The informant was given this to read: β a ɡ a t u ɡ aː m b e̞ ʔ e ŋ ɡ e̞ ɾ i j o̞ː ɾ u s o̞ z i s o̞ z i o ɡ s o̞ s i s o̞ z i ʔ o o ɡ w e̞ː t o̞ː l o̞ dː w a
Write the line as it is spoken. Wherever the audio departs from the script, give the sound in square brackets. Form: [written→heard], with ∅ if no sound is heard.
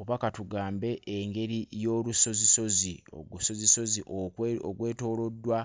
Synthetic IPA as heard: β a [ɡ→k] a t u ɡ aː m b e̞ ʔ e ŋ ɡ e̞ ɾ i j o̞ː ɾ u s o̞ z i s o̞ z i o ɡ s o̞ [s→z] i s o̞ z i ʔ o o ɡ w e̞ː t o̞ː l o̞ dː w a